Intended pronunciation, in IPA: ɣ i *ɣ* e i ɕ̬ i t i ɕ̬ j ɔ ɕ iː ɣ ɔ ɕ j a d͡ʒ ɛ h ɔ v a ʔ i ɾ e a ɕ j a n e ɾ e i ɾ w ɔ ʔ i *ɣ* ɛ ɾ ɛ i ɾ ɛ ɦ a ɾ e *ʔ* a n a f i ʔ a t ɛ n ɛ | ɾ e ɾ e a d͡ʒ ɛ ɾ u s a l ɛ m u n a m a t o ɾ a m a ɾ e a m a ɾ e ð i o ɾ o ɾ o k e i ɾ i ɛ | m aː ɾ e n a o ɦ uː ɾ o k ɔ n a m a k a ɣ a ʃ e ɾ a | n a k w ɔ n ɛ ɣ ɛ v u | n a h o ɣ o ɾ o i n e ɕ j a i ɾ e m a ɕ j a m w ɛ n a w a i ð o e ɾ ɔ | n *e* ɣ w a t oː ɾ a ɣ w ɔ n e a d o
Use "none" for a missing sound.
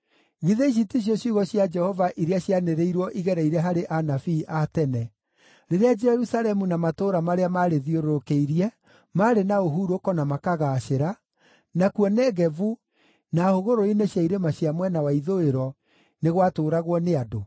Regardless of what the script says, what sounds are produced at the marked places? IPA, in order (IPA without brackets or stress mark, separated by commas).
ð, ɣ, ʔ, e